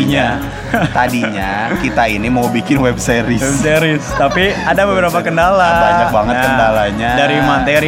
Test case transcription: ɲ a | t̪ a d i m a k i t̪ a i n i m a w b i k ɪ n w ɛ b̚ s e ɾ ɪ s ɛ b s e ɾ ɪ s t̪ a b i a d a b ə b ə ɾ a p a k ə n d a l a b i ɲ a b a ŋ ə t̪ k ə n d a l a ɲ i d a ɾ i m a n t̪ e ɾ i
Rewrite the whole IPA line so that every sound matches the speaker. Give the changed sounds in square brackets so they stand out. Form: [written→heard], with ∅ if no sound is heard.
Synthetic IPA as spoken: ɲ a | t̪ a d i [m→ɲ] a k i t̪ a i n i m a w b i k ɪ n w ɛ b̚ s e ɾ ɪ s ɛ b s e ɾ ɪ s t̪ a [b→p] i a d a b ə b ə ɾ a p a k ə n d a l a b [i→a] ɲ a b a ŋ ə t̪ k ə n d a l a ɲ [i→a] d a ɾ i m a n t̪ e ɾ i